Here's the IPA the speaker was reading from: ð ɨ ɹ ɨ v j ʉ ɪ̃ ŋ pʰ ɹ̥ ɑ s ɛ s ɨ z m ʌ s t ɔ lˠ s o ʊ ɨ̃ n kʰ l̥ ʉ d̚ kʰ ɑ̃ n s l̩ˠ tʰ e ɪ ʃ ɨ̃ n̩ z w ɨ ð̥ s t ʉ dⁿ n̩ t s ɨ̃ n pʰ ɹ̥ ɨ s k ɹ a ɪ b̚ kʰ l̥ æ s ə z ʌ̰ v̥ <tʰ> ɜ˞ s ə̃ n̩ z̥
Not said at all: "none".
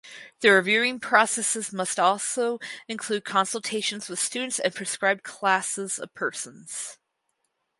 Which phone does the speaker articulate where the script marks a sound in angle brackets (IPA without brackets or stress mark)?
pʰ